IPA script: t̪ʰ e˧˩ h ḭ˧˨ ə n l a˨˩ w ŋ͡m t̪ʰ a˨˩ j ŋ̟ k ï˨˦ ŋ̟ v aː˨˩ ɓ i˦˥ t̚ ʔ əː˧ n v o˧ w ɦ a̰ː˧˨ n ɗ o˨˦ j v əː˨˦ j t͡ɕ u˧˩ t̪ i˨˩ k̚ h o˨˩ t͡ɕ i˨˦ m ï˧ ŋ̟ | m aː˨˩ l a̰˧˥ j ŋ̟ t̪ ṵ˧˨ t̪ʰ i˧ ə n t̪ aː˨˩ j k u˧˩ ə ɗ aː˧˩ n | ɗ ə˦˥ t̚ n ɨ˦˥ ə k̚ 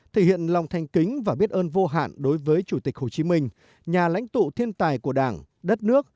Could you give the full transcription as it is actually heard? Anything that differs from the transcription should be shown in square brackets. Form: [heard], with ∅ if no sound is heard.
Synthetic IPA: t̪ʰ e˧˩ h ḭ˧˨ ə n l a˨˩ w ŋ͡m t̪ʰ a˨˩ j ŋ̟ k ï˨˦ ŋ̟ v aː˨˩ ɓ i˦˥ t̚ ʔ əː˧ n v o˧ [∅] ɦ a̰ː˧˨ n ɗ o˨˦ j v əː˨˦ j t͡ɕ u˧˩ t̪ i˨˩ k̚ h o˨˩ t͡ɕ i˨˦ m ï˧ ŋ̟ | [ɲ] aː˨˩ l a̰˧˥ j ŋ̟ t̪ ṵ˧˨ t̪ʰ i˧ ə n t̪ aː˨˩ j k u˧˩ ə ɗ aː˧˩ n | ɗ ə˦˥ t̚ n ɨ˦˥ ə k̚